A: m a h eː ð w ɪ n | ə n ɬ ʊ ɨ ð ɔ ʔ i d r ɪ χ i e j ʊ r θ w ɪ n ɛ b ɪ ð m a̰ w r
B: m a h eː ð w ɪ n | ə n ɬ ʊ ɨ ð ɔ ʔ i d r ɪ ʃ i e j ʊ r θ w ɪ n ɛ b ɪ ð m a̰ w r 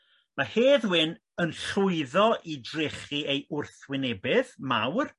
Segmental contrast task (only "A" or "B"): A